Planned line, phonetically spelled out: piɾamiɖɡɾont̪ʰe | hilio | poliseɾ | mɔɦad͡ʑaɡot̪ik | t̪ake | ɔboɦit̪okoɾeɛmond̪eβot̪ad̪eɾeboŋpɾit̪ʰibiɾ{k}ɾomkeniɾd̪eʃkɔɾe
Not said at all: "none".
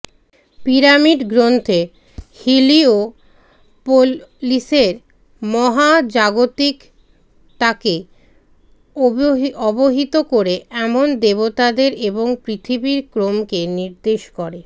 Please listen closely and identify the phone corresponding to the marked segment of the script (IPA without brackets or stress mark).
k